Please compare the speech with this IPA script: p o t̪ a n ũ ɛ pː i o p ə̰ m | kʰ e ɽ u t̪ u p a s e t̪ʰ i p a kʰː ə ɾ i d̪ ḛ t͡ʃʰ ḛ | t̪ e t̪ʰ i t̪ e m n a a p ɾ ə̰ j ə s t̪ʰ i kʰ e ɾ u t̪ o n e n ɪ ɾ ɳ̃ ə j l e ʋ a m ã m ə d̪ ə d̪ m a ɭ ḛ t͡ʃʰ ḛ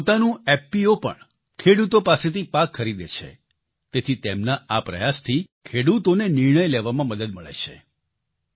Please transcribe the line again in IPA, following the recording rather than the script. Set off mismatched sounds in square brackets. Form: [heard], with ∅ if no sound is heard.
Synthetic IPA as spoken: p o t̪ a n ũ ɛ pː i o p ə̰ [ɳ] | kʰ e ɽ u t̪ [o] p a s e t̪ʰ i p a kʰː ə ɾ i d̪ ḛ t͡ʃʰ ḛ | t̪ e t̪ʰ i t̪ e m n a a p ɾ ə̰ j [a] s t̪ʰ i kʰ e [ɽ] u t̪ o n e n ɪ ɾ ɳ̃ ə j l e ʋ a m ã m ə d̪ ə d̪ m [ə] ɭ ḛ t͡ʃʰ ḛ